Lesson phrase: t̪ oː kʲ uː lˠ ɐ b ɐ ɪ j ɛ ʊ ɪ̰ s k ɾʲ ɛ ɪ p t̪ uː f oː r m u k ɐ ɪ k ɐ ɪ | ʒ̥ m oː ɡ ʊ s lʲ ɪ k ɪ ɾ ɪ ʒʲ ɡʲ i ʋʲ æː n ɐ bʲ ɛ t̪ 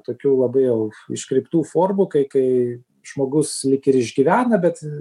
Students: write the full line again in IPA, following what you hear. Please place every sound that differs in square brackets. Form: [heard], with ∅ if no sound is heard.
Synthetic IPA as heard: t̪ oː kʲ uː lˠ ɐ b ɐ ɪ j ɛ ʊ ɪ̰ [ʃ] k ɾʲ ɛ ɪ p t̪ uː f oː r m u k ɐ ɪ k ɐ ɪ | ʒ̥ m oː ɡ ʊ s lʲ ɪ k ɪ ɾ ɪ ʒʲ ɡʲ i ʋʲ æː n ɐ bʲ ɛ t̪